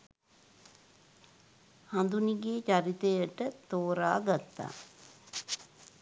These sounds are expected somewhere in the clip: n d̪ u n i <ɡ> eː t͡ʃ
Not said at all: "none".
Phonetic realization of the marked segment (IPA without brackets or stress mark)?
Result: ɡ